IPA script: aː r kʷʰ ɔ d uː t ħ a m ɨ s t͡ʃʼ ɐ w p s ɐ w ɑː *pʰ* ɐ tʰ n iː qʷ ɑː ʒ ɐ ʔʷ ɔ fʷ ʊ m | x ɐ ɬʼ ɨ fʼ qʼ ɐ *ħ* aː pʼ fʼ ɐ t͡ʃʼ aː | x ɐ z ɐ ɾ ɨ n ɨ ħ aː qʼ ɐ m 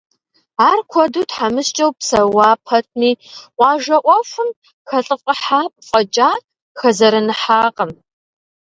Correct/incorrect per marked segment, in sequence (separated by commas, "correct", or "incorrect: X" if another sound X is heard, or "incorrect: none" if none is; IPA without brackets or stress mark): correct, correct